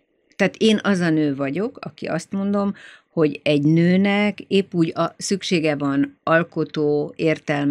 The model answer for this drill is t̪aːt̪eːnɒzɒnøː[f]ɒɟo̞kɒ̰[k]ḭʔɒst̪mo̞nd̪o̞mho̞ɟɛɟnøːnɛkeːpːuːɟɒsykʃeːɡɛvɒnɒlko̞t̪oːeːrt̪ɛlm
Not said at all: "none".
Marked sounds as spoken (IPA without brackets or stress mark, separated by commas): v, k